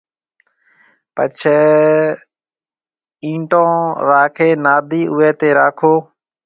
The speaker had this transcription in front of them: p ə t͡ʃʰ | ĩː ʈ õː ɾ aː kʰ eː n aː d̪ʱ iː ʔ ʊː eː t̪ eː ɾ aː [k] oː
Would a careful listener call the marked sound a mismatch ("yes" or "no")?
yes